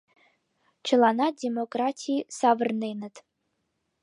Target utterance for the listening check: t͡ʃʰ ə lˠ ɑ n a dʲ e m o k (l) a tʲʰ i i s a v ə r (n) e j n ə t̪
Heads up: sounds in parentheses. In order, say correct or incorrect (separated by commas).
incorrect, correct